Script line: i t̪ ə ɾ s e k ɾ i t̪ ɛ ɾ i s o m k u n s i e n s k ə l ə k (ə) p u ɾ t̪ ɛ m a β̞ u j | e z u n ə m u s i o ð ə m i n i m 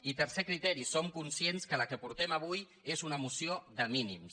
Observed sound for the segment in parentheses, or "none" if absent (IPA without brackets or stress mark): ə